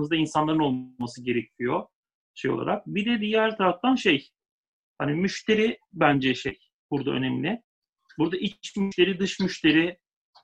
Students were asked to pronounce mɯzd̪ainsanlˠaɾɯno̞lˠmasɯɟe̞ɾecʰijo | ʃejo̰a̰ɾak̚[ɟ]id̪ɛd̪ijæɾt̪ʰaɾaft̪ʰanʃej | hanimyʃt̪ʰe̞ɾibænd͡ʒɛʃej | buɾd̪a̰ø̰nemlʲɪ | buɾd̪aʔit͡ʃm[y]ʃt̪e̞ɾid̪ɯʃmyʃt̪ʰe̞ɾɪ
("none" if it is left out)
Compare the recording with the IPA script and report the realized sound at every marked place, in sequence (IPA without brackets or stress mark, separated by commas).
b, y